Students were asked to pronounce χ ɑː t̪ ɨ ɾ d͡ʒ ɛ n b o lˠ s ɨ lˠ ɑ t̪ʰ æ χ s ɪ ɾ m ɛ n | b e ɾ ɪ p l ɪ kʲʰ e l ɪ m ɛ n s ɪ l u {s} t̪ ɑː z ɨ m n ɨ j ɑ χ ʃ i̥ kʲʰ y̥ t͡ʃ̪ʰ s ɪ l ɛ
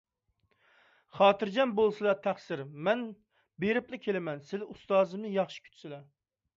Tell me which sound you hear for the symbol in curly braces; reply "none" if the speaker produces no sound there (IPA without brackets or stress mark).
s